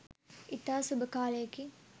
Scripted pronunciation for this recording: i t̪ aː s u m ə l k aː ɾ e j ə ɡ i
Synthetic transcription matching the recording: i t̪ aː s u b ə k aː l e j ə k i